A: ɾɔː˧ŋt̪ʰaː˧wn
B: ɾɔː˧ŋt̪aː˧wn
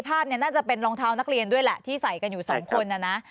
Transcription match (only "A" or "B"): A